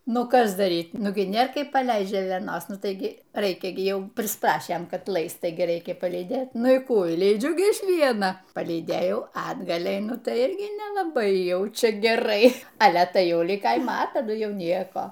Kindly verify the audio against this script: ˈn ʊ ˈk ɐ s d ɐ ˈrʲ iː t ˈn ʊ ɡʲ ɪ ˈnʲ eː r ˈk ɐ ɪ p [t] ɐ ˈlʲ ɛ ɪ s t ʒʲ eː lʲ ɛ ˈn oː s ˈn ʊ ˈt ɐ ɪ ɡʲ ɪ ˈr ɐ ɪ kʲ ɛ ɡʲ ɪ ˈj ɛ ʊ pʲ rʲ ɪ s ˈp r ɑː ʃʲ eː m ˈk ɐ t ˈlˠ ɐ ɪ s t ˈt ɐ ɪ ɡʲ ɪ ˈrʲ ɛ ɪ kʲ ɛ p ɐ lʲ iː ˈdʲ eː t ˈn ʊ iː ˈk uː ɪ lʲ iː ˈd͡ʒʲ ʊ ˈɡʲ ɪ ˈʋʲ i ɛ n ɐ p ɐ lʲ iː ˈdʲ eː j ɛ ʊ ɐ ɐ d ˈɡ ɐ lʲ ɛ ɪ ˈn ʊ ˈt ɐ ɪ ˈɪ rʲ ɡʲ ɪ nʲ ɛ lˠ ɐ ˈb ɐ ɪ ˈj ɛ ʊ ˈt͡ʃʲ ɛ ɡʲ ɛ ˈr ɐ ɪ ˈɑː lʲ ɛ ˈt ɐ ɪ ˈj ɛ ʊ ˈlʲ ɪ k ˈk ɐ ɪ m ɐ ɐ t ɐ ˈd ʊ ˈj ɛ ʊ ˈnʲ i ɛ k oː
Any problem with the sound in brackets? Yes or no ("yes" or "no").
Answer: yes